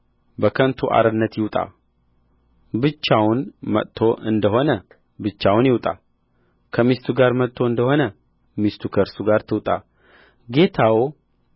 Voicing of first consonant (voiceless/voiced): voiced